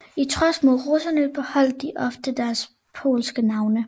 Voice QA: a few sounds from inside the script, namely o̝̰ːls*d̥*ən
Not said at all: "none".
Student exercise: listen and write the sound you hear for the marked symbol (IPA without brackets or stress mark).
ɡ̥